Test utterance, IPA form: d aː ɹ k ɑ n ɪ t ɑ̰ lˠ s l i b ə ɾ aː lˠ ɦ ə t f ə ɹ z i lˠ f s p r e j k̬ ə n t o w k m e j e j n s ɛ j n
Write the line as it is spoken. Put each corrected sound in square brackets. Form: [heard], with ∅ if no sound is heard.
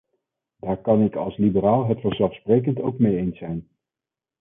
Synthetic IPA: d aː ɹ k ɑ n ɪ [k] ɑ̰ lˠ s l i b ə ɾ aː lˠ ɦ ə t f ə ɹ z [ɛ] lˠ f s p r e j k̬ ə n t o w k m e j e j n s ɛ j n